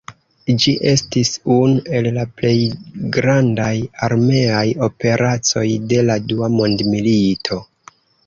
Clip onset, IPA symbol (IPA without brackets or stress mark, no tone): d͡ʒ